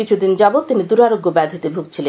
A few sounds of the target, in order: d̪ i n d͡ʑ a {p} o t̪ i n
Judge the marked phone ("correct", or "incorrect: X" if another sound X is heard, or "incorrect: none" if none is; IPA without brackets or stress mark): incorrect: b